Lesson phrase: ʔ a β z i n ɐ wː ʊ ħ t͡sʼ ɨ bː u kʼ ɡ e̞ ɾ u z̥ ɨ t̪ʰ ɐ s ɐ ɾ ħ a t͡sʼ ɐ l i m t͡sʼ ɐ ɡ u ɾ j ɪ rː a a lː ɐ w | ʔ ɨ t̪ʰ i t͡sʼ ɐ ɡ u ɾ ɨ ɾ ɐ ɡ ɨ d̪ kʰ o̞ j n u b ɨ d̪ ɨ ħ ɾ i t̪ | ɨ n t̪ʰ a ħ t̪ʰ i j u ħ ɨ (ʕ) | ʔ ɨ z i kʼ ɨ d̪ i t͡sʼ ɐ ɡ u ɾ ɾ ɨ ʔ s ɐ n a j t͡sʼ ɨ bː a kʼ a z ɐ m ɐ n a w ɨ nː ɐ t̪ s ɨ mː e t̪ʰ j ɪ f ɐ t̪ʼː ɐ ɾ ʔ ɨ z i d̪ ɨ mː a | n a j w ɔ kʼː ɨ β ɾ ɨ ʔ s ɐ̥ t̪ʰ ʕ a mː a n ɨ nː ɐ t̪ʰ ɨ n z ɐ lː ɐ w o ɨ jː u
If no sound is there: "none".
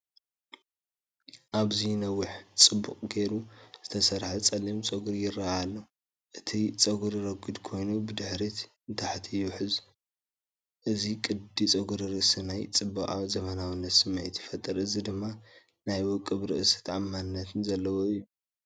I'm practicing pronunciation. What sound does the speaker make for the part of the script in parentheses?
z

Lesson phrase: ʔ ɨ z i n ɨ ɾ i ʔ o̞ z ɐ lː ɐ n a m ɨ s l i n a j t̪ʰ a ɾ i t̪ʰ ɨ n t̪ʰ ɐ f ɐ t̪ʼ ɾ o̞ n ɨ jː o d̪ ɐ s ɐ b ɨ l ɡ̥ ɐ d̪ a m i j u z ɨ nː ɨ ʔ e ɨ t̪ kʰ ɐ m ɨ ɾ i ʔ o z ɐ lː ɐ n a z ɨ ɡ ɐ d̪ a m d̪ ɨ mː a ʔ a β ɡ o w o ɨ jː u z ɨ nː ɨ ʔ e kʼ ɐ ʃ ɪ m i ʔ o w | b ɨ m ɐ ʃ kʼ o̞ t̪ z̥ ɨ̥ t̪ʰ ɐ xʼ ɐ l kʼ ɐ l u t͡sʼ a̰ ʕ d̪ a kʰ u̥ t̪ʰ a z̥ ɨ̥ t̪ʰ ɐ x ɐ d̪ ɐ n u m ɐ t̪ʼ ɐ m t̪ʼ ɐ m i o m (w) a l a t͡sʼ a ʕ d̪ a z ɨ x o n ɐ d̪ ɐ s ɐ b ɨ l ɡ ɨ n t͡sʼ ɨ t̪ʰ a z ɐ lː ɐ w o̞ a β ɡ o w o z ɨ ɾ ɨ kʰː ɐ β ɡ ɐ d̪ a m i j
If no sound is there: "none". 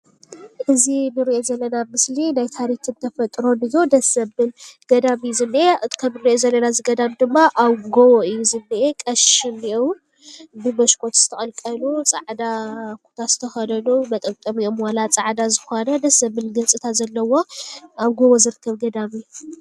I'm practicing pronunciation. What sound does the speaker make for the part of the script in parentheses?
w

